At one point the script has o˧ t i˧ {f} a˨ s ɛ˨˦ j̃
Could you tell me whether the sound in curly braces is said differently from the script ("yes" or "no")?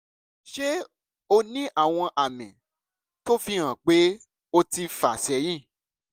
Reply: no